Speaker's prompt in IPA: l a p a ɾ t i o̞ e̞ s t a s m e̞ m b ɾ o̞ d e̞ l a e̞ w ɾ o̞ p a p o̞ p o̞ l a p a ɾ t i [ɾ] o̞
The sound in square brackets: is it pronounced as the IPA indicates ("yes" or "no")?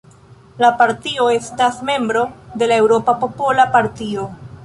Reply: no